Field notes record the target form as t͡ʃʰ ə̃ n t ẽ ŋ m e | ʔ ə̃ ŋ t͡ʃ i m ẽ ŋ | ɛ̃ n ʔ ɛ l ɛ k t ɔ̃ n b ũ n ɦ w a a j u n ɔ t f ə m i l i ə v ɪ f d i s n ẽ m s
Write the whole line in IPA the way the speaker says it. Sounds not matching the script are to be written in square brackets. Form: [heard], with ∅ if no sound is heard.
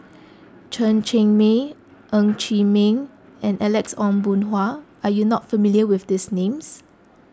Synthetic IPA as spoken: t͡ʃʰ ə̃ n [t͡ʃ] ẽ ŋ m e | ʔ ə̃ ŋ t͡ʃ i m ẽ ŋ | ɛ̃ n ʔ ɛ l ɛ k [s] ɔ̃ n b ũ n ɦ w a a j u n ɔ t f ə m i l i ə [w] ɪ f d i s n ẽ m s